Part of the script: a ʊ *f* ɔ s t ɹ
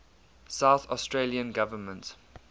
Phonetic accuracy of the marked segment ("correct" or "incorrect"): incorrect